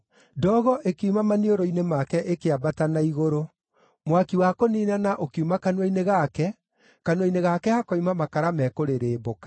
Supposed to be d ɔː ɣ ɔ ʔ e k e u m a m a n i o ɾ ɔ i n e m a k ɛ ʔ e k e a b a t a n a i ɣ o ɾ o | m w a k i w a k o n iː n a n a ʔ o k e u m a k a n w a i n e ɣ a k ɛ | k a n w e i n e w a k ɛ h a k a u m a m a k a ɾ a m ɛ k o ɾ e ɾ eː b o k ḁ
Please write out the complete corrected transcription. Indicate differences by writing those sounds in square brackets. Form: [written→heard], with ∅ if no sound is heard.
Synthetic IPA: d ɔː ɣ ɔ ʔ e k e u m a m a n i o ɾ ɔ i n e m a k ɛ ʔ e k e a b a t a n a i ɣ o ɾ o | m w a k i w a k o n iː n a n a ʔ o k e u m a k a n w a i n e ɣ a k ɛ | k a n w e i n e [w→ɣ] a k ɛ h a k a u m a m a k a ɾ a m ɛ k o ɾ e ɾ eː b o k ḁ